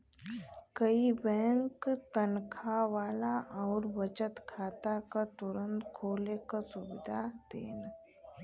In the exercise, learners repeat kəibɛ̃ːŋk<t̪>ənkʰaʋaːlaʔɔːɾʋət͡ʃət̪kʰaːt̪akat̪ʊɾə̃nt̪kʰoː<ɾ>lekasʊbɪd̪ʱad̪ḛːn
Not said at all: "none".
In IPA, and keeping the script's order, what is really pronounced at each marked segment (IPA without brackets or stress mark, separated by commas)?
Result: t̪, none